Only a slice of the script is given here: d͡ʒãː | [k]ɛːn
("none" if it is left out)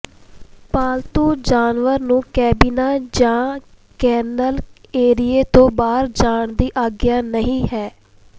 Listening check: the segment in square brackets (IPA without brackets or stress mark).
k